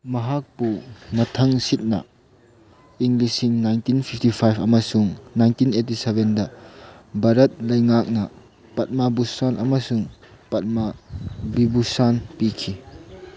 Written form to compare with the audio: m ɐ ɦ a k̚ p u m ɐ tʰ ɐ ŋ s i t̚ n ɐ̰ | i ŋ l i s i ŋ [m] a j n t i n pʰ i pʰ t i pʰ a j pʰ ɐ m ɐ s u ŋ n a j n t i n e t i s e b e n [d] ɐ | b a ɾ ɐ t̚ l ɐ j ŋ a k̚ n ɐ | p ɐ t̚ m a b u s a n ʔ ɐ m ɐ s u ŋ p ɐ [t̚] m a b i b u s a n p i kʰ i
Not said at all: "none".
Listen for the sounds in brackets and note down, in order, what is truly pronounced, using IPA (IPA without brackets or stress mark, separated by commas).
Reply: n, d, t̚